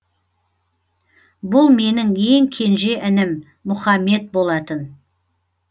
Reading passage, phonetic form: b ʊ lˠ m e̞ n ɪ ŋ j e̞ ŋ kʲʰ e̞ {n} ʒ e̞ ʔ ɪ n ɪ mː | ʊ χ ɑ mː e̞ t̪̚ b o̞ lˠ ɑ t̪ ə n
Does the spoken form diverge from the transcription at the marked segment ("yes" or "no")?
no